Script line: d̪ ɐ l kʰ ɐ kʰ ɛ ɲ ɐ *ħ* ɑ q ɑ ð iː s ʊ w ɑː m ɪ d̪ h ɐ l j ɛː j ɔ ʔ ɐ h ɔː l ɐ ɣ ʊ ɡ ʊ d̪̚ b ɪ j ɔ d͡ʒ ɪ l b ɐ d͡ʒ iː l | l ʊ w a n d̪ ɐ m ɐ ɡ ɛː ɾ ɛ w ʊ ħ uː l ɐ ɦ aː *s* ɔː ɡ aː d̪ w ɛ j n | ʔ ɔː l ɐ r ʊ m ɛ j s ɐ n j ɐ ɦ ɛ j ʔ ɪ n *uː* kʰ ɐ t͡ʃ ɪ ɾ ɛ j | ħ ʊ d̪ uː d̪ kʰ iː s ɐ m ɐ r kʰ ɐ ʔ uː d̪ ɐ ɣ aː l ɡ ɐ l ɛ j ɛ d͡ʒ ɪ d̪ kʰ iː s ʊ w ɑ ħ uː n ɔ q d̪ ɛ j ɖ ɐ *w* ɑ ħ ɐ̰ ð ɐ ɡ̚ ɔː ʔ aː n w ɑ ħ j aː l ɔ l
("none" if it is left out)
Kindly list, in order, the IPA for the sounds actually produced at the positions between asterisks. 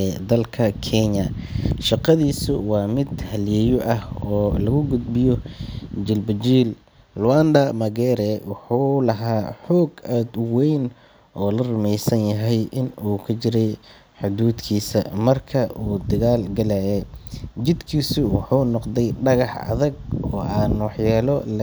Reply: ʃ, ħ, uː, ɣ

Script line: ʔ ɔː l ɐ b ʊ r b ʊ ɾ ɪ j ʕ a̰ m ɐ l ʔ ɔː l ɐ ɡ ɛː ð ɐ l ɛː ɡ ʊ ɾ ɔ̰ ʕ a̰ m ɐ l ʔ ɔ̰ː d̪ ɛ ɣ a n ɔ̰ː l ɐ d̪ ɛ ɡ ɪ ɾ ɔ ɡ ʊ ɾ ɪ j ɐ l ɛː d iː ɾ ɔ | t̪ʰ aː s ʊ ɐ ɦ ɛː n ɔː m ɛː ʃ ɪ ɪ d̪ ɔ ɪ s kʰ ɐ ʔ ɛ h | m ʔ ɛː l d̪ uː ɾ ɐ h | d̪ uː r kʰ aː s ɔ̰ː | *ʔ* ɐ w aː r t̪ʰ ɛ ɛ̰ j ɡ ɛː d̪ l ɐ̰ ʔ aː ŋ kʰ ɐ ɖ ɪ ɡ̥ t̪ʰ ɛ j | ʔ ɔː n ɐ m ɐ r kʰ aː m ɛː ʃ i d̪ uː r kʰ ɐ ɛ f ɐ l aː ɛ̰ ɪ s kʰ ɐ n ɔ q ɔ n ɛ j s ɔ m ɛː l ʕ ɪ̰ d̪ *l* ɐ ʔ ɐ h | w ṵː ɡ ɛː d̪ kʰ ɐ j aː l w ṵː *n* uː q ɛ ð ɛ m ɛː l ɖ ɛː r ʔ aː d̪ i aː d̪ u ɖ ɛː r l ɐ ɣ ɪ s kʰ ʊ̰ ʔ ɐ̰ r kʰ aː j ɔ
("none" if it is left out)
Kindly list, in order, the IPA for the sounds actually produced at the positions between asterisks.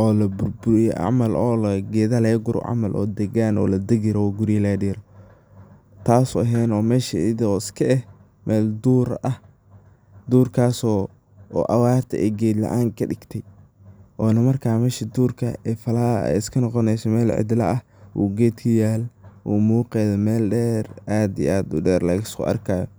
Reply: ʔ, l, m

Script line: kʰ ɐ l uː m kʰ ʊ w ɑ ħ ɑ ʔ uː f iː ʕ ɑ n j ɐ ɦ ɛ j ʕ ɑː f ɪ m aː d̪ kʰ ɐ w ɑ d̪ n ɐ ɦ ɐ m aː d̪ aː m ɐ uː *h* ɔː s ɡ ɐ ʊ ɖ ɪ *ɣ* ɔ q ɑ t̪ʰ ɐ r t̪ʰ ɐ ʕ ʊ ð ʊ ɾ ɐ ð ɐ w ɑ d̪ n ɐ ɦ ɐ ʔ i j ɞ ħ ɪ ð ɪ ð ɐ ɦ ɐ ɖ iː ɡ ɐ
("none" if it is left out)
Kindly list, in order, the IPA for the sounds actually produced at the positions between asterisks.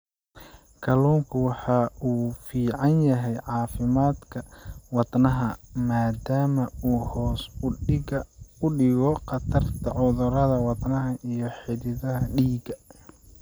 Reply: h, ɣ

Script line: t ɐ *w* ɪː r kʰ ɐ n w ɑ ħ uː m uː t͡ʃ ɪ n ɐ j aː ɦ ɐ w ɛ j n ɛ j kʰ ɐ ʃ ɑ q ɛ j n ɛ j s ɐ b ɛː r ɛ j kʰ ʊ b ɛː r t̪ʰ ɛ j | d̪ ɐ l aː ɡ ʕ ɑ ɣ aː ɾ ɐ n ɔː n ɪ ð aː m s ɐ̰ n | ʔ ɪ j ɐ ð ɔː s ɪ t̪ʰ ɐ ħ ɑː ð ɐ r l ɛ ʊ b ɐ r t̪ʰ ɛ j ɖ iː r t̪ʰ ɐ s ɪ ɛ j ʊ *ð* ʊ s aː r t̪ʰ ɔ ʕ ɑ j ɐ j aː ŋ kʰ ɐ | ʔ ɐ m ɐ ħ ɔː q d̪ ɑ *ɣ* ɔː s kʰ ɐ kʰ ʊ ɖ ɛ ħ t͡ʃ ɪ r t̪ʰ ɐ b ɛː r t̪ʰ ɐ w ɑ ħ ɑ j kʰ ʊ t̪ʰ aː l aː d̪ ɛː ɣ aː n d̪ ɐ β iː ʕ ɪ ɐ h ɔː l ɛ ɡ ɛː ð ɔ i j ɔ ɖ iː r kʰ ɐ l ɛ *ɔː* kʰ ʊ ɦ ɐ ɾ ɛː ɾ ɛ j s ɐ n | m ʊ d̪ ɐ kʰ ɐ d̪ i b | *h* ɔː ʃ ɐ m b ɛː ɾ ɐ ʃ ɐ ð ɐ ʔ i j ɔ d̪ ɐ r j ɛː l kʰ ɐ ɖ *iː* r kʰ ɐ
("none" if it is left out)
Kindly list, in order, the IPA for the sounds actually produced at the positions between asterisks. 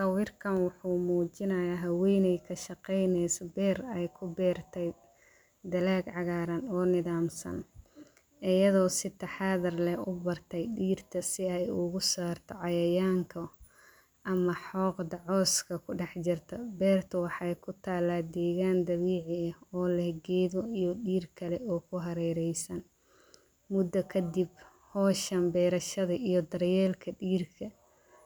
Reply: w, ɣ, ʕ, ɔː, h, iː

